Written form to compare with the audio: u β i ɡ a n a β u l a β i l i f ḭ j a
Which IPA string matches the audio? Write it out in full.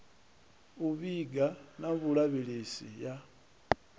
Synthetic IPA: u β i ɡ a n a β u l a β i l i s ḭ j a